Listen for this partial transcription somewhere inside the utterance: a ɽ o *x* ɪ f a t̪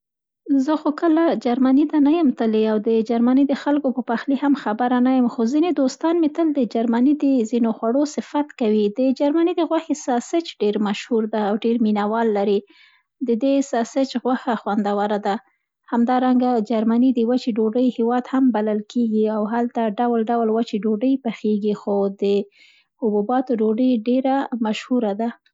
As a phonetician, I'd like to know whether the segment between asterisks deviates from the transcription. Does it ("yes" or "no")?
yes